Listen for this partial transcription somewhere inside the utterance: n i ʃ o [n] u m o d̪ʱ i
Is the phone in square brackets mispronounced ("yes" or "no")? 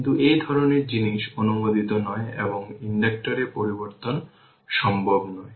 no